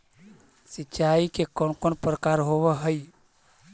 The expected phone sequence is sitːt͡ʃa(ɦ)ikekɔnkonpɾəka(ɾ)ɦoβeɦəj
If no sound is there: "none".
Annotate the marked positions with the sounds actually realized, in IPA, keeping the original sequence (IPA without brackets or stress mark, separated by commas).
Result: none, ɾ